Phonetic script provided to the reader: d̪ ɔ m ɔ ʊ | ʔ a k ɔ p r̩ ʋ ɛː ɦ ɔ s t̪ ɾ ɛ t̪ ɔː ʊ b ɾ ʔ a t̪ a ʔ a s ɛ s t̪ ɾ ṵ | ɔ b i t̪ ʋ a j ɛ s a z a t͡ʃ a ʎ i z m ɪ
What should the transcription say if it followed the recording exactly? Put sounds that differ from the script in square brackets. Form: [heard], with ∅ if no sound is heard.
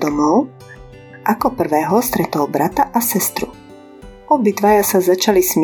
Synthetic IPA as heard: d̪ ɔ m ɔ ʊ | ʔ a k ɔ p r̩ ʋ ɛː ɦ ɔ s t̪ ɾ ɛ t̪ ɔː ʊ b ɾ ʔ a t̪ a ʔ a s ɛ s t̪ ɾ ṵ | ɔ b i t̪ ʋ a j [a] s a z a t͡ʃ a [l] i [s] m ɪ